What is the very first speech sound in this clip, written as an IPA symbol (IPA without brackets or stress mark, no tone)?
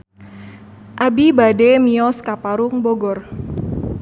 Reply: ʔ